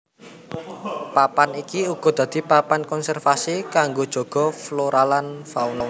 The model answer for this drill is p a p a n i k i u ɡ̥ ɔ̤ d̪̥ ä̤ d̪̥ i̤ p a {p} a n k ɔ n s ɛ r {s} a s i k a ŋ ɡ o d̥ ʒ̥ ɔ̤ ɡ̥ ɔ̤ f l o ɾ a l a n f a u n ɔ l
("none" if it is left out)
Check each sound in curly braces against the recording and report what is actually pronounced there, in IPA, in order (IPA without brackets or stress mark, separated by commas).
p, f